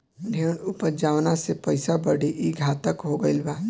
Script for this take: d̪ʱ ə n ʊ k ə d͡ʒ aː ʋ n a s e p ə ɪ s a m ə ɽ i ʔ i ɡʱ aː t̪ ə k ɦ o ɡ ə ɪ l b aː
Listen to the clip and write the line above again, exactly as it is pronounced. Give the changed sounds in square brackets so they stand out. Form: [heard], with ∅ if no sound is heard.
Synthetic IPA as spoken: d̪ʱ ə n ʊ [p] ə d͡ʒ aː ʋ n a s e p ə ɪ s a [b] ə ɽ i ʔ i ɡʱ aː t̪ ə k ɦ o ɡ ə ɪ l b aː